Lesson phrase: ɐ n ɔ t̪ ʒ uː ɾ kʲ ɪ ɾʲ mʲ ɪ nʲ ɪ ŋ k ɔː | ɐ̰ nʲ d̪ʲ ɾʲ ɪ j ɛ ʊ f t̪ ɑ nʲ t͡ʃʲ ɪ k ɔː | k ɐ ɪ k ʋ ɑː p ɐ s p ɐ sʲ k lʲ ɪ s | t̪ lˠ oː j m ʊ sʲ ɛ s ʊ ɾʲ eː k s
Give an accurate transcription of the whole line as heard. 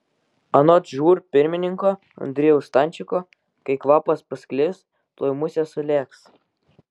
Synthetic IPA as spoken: ɐ n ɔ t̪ ʒ uː ɾ pʲ ɪ ɾʲ mʲ ɪ nʲ ɪ ŋ k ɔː | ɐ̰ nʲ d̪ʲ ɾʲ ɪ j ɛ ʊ s t̪ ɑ nʲ t͡ʃʲ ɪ k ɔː | k ɐ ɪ k ʋ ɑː p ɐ s p ɐ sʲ k lʲ ɪ s | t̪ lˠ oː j m ʊ sʲ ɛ s ʊ lʲ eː k s